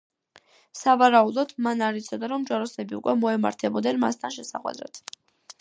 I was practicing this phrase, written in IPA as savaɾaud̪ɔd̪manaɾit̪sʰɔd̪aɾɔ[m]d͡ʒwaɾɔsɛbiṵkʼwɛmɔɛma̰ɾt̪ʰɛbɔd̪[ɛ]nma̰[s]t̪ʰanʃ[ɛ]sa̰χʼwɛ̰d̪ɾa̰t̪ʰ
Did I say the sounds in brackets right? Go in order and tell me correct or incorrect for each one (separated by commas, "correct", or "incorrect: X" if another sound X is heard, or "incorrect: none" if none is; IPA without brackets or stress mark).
correct, correct, correct, correct